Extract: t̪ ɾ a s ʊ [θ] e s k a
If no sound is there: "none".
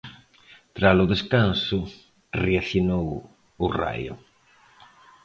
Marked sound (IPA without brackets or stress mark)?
ð